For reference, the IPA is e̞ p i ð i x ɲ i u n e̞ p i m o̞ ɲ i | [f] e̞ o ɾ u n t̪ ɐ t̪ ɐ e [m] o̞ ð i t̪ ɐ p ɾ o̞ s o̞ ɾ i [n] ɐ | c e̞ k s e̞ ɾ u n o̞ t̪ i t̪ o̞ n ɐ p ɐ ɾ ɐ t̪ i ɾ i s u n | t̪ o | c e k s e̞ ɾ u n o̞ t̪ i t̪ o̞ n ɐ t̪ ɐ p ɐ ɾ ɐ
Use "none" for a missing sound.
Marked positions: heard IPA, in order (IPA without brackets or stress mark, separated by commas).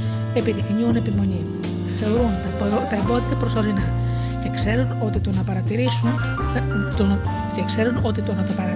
θ, b, n